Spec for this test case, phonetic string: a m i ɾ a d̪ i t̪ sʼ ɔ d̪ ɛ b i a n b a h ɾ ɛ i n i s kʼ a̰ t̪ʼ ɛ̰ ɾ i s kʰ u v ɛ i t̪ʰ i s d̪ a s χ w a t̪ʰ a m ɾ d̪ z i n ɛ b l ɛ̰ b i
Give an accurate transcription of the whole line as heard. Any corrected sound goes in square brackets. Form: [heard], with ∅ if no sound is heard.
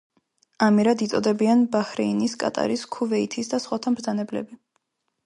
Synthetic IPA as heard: a m i ɾ a d̪ i t̪ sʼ ɔ d̪ ɛ b i a n b a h ɾ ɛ i n i s kʼ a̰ t̪ʼ [a̰] ɾ i s kʰ u v ɛ i t̪ʰ i s d̪ a s χ w a t̪ʰ a m ɾ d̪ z [a] n ɛ b l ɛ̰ b i